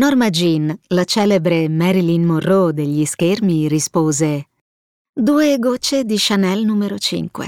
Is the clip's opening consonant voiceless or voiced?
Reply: voiced